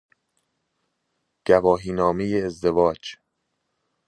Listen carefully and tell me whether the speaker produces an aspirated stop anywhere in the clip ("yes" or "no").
no